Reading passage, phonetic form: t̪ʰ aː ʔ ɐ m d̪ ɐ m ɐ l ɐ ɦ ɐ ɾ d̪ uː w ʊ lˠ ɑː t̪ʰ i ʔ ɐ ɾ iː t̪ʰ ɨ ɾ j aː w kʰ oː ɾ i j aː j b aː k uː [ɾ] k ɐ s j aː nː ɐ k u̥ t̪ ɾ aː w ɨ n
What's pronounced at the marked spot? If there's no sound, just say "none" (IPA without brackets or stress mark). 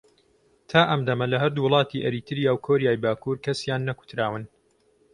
ɾ